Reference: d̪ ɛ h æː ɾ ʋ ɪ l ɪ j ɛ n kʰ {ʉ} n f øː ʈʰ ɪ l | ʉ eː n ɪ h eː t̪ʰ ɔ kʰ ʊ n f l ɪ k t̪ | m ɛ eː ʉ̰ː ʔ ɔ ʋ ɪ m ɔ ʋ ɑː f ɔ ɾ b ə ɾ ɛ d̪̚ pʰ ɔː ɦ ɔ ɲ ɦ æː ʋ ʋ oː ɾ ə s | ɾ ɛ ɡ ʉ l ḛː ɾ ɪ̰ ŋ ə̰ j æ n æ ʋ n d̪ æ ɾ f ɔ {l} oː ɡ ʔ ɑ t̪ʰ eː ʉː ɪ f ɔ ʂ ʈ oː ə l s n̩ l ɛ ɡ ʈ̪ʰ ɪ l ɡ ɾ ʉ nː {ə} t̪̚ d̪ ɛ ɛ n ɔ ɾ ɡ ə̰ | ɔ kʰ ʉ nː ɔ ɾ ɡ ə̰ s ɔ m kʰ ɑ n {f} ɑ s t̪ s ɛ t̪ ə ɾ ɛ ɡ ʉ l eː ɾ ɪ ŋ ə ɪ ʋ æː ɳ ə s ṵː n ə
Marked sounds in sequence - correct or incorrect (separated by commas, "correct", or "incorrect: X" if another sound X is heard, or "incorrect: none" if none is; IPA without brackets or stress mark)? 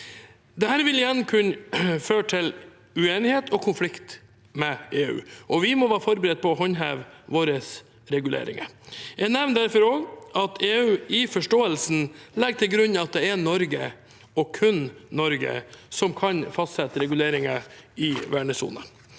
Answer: correct, incorrect: ɾ, incorrect: ɑ, correct